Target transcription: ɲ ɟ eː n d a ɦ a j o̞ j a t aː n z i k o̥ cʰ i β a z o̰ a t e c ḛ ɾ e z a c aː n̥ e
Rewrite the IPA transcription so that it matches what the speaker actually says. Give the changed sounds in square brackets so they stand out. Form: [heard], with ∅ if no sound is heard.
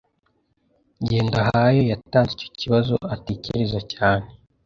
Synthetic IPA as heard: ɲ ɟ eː n d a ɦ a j o̞ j a t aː n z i [c] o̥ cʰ i β a z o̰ a t e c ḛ ɾ e z a c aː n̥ e